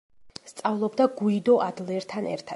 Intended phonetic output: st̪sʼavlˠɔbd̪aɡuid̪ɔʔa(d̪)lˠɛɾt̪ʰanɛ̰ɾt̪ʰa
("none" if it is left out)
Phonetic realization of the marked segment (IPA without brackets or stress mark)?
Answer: d̪